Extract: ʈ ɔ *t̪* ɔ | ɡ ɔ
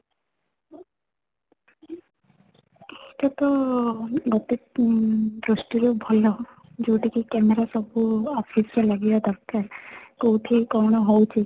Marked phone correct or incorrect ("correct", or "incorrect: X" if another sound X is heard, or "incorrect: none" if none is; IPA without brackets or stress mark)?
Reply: correct